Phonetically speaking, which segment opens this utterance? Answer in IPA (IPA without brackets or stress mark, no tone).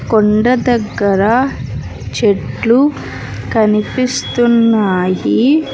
k